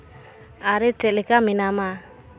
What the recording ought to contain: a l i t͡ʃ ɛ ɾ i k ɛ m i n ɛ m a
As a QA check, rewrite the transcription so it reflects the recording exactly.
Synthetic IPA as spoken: a ɾ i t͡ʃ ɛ l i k a m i n a m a